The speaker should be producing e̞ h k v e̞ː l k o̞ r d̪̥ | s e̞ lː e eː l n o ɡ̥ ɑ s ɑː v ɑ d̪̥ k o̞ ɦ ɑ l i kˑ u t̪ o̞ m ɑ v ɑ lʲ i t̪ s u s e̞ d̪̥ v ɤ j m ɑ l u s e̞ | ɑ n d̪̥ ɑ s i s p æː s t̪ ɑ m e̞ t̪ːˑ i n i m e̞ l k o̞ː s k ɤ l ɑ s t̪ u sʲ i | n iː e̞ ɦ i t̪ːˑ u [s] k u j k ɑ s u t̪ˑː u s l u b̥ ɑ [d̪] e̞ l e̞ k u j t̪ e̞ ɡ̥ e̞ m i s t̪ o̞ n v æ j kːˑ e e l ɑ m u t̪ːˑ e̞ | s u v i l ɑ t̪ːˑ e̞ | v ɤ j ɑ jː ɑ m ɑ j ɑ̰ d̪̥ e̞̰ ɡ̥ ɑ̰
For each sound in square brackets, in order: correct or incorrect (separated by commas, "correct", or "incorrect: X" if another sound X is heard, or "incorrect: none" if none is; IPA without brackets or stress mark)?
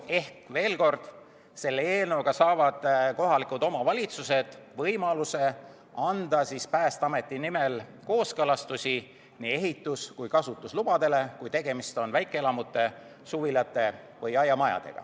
correct, correct